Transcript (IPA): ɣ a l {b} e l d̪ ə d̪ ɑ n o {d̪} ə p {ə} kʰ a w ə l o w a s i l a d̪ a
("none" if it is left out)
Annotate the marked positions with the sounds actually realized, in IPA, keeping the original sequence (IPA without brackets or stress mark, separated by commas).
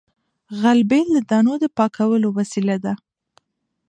b, d̪, ɑ